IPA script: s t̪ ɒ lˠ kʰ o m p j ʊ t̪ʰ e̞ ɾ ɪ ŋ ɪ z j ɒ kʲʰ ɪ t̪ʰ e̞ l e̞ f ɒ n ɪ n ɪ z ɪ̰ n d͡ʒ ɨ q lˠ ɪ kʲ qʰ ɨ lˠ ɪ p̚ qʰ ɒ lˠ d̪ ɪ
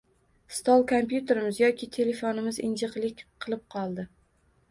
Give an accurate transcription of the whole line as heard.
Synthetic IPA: s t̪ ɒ lˠ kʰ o m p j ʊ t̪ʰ e̞ ɾ ɪ m ɪ z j ɒ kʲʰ ɪ t̪ʰ e̞ l e̞ f o n ɪ m ɪ z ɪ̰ n d͡ʒ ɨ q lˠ ɪ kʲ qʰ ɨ lˠ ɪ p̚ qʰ ɒ lˠ d̪ ɪ